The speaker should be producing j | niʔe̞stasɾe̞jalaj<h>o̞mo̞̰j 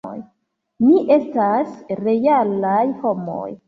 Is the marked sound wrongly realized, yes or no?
no